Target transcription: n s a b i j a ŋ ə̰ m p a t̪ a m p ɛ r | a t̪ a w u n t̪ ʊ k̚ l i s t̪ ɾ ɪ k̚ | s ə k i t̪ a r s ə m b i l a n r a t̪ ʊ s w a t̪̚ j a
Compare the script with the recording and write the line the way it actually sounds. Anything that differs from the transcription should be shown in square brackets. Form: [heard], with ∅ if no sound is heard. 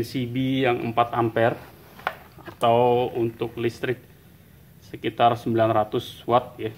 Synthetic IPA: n s [i] b i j a ŋ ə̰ m p a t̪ a m p ɛ r | a t̪ a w u n t̪ ʊ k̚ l i s t̪ ɾ ɪ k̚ | s ə k i t̪ a r s ə m b i l a n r a t̪ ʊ s w a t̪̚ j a

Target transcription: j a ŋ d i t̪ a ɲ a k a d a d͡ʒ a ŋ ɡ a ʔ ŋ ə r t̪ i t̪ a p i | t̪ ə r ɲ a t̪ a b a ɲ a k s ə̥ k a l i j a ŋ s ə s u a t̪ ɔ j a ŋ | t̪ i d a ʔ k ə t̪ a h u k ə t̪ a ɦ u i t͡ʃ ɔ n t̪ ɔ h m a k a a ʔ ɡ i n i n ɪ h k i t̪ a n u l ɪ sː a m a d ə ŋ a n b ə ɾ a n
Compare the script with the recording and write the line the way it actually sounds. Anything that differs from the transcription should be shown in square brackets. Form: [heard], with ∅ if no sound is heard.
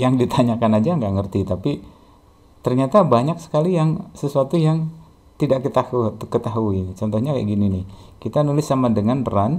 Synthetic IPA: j a ŋ d i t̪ a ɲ a k a [n] a d͡ʒ a ŋ ɡ a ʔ ŋ ə r t̪ i t̪ a p i | t̪ ə r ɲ a t̪ a b a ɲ a k s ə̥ k a l i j a ŋ s ə s u a t̪ [u] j a ŋ | t̪ i d a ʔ k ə t̪ a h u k ə t̪ a ɦ u i t͡ʃ ɔ n t̪ ɔ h [ɲ] a k a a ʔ ɡ i n i n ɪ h k i t̪ a n u l ɪ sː a m a d ə ŋ a n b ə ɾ a n

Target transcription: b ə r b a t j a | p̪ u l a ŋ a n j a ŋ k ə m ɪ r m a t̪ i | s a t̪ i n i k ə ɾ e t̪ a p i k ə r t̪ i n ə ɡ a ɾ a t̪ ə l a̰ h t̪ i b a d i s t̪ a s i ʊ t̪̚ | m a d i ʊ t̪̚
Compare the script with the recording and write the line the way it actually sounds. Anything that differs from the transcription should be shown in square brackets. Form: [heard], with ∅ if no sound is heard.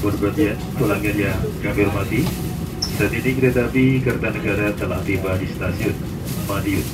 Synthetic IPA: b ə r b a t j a | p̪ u l a ŋ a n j a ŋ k [a] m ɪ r m a t̪ i | s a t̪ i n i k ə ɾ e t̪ a p i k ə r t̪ [a] n ə ɡ a ɾ a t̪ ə l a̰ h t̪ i b a d i s t̪ a s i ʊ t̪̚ | m a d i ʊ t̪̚

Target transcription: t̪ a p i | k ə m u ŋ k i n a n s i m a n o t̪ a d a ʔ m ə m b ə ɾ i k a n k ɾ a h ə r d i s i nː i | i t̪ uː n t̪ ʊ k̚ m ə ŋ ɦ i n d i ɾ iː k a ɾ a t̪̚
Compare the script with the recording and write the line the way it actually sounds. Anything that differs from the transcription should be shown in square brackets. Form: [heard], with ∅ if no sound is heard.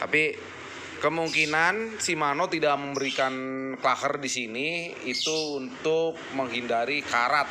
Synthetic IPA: t̪ a p i | k ə m u ŋ k i n a n s i m a n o t̪ [i] d a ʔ m ə m b ə ɾ i k a n k [l] a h ə r d i s i [n] i | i t̪ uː n t̪ ʊ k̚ m ə ŋ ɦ i n d [a] ɾ [i] k a ɾ a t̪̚

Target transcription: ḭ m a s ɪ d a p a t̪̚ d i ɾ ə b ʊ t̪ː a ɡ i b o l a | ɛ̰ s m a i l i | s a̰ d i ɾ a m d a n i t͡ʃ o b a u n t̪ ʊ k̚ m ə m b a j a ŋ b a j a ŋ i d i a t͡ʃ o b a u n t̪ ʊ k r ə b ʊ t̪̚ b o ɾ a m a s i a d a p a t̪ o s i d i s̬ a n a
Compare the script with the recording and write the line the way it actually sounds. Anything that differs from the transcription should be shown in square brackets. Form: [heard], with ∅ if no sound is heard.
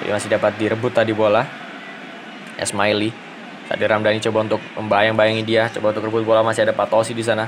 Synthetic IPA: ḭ m a s ɪ d a p a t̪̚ d i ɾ ə b ʊ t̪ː a [d] i b o l a | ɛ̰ s m a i l i | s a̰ d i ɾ a m d a n i t͡ʃ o b a u n t̪ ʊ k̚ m ə m b a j a ŋ b a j a ŋ i d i a t͡ʃ o b a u n t̪ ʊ k r ə b ʊ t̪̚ b o [l] a m a s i a d a p a t̪ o s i d i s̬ a n a

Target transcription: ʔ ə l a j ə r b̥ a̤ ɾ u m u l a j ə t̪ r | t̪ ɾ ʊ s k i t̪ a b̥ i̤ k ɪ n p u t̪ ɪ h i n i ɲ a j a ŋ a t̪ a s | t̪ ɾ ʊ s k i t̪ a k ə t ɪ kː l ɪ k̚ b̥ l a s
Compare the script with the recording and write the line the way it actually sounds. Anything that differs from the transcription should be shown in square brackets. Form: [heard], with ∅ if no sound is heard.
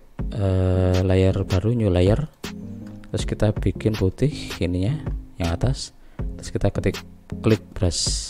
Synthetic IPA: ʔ ə l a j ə r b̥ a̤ ɾ u [ɲ] u l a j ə [∅] r | t̪ ɾ ʊ s k i t̪ a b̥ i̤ k ɪ n p u t̪ ɪ h i n i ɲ a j a ŋ a t̪ a s | t̪ ɾ ʊ s k i t̪ a k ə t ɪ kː l ɪ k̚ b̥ [ɾ] a s

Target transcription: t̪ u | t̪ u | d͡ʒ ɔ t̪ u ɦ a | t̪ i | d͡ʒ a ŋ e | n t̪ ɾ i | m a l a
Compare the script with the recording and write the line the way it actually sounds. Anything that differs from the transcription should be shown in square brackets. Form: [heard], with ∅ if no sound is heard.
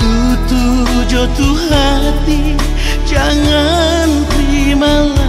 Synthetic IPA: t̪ u | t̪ u | d͡ʒ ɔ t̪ u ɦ a | t̪ i | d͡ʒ a ŋ [a] | n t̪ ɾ i | m a l a

